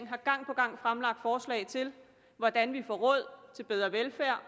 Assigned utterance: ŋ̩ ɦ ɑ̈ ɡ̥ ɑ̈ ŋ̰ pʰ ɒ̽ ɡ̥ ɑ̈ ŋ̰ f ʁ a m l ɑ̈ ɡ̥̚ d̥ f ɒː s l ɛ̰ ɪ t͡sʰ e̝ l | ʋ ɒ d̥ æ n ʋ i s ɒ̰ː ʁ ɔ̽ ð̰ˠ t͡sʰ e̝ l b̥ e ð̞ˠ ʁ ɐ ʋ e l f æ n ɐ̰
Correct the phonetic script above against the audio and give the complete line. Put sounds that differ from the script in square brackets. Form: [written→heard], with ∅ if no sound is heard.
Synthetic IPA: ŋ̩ ɦ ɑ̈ ɡ̥ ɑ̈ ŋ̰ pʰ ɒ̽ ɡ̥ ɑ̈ ŋ̰ f ʁ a m l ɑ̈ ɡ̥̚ d̥ f ɒː s l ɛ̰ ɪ t͡sʰ e̝ l | ʋ ɒ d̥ æ n ʋ i [s→f] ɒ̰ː ʁ ɔ̽ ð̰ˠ t͡sʰ e̝ l b̥ e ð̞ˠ ʁ ɐ ʋ e l f æ [n→∅] ɐ̰